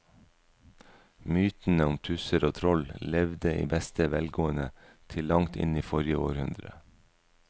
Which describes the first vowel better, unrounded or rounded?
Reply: rounded